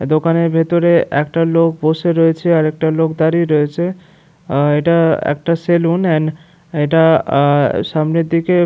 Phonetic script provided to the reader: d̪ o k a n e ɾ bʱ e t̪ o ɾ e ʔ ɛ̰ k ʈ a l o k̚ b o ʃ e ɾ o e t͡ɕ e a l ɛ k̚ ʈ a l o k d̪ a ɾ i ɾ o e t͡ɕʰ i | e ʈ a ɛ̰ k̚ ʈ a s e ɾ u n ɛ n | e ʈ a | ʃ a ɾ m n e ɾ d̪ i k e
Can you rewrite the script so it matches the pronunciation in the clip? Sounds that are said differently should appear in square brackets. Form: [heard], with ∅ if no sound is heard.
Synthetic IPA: d̪ o k a n e ɾ bʱ e t̪ o ɾ e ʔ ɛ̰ k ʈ a l o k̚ b o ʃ e ɾ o e [t͡ɕʰ] e a [ɾ] ɛ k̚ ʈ a l o k d̪ a ɾ i ɾ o e t͡ɕʰ [e] | e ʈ a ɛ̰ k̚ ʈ a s e [l] u n ɛ n | e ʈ a | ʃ a [∅] m n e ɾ d̪ i k e